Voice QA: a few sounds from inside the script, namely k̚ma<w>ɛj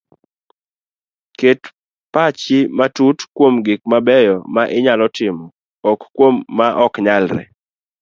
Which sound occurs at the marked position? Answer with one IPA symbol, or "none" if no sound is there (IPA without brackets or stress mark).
b